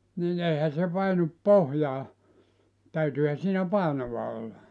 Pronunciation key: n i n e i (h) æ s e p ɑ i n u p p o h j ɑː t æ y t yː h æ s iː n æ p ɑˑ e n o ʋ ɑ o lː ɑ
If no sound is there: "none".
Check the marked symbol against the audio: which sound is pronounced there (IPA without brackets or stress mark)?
h